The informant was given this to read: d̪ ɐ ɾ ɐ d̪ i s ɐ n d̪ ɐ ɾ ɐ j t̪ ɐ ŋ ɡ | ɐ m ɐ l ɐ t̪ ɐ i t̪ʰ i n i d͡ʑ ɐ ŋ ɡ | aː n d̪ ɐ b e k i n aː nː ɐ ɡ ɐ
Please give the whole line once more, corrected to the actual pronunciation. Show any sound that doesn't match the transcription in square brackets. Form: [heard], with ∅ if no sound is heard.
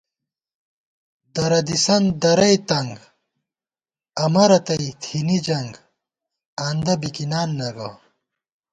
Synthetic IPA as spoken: d̪ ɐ ɾ ɐ d̪ i s ɐ n d̪ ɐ ɾ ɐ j t̪ ɐ ŋ ɡ | ɐ m ɐ [ɾ] ɐ t̪ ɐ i t̪ʰ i n i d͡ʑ ɐ ŋ ɡ | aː n d̪ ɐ b [i] k i n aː nː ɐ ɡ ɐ